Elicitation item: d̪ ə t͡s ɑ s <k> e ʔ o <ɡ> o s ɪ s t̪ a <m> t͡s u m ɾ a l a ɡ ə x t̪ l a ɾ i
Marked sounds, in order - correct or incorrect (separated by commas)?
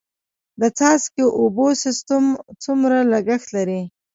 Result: correct, incorrect, correct